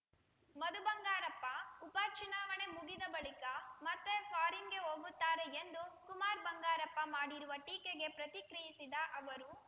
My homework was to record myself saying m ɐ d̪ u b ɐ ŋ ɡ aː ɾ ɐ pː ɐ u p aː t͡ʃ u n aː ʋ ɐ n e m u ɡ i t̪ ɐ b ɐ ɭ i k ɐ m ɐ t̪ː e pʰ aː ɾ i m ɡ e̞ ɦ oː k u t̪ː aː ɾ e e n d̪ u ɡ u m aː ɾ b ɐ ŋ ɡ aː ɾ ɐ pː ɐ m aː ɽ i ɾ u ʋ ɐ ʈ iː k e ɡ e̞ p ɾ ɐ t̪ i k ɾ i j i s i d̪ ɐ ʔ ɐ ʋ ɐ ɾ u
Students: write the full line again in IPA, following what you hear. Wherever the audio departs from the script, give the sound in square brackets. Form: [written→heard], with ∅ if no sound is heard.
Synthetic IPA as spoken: m ɐ d̪ u b ɐ ŋ ɡ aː ɾ ɐ pː ɐ u p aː t͡ʃ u n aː ʋ ɐ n e m u ɡ i [t̪→d̪] ɐ b ɐ ɭ i k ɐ m ɐ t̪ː e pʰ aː ɾ i [m→ŋ] ɡ e̞ ɦ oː [k→ɡ] u t̪ː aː ɾ e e n d̪ u [ɡ→k] u m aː ɾ b ɐ ŋ ɡ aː ɾ ɐ pː ɐ m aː ɽ i ɾ u ʋ ɐ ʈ iː k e ɡ e̞ p ɾ ɐ t̪ i k ɾ i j i s i d̪ ɐ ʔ ɐ ʋ ɐ ɾ u